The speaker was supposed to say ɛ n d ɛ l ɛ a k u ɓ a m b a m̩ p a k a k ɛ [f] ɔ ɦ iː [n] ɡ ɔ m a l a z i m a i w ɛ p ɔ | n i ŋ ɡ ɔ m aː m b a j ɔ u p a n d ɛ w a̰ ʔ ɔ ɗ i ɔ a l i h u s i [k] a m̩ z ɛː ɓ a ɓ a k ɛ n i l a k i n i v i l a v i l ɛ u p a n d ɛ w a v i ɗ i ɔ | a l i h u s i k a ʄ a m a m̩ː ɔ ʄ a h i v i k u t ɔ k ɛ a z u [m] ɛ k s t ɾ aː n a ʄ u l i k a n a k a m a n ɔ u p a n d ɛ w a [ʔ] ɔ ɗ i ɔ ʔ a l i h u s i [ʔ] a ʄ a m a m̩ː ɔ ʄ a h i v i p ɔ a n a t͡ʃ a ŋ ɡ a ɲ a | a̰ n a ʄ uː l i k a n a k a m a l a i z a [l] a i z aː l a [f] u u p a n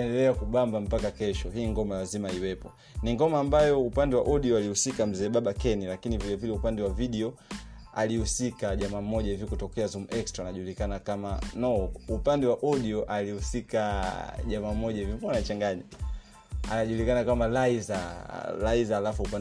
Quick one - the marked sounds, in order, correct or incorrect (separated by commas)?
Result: incorrect, incorrect, correct, correct, correct, incorrect, correct, correct